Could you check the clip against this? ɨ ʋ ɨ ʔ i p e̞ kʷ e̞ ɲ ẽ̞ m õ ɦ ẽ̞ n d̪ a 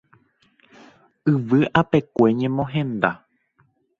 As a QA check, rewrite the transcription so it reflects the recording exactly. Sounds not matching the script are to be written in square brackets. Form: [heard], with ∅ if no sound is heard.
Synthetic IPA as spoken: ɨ ʋ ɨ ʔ [a] p e̞ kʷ e̞ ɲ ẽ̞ m õ ɦ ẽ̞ n d̪ a